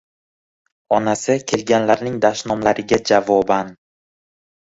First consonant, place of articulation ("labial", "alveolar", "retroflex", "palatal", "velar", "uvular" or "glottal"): alveolar